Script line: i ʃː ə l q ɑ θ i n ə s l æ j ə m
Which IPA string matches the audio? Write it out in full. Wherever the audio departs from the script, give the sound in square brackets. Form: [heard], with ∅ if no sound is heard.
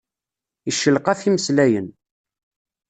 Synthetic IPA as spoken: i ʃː ə l q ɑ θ i [m] ə s l æ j ə [n]